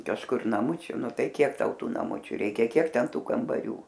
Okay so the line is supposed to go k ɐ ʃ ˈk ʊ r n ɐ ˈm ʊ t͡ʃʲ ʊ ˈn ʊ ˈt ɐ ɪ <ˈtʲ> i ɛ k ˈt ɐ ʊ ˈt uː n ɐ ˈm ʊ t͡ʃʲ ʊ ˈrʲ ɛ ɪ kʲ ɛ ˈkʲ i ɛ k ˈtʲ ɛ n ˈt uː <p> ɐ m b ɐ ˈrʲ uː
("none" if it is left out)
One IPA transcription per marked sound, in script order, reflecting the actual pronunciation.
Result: kʲ, k

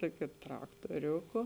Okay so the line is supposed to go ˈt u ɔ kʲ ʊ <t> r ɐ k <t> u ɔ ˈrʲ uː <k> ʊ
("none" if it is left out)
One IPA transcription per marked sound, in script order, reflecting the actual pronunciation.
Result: t, t, k

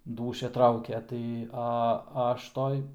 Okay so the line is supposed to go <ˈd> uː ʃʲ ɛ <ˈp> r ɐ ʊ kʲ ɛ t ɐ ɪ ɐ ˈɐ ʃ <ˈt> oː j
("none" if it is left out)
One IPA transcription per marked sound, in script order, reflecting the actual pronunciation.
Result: d, t, t

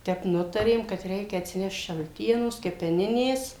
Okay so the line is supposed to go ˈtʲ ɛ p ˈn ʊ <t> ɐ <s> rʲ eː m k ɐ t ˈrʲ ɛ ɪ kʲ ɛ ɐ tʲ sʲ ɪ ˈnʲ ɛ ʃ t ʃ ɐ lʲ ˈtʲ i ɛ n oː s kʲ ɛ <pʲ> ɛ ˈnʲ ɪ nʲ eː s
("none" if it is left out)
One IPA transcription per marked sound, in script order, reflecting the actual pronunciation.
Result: t, none, pʲ

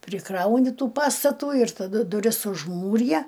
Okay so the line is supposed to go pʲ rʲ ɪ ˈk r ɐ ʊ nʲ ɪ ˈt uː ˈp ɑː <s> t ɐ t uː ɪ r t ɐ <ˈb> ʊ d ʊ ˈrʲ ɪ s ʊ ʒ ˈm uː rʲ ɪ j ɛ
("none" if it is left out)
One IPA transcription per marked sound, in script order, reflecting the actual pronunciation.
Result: s, d

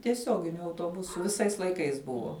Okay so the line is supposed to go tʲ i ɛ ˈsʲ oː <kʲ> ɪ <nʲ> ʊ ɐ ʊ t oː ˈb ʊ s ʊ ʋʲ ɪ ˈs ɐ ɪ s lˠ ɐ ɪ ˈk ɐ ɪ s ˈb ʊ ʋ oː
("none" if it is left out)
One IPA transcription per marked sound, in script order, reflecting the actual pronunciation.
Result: ɡʲ, nʲ

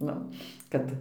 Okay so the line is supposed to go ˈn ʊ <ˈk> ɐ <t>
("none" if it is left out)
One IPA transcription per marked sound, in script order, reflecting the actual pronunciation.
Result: k, t

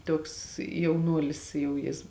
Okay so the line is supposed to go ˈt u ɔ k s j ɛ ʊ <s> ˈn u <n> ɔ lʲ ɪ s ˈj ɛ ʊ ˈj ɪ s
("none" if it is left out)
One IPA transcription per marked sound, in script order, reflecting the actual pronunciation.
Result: none, none

